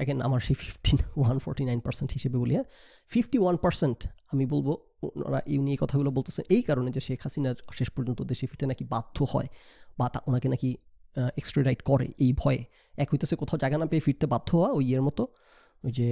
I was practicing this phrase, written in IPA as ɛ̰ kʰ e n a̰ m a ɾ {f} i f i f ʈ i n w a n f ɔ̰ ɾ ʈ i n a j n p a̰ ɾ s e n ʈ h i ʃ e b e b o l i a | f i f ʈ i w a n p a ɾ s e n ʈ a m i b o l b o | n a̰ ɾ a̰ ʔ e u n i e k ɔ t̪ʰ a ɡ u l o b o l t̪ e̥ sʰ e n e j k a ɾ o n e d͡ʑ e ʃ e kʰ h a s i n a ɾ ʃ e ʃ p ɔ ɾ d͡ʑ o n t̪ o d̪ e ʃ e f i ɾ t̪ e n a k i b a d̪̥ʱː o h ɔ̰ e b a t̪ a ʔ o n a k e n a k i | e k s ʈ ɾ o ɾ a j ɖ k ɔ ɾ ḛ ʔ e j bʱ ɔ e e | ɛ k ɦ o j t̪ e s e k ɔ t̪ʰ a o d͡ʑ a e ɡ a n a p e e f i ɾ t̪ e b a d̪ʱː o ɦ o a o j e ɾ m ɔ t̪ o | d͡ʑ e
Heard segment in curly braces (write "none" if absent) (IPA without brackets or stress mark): ʃ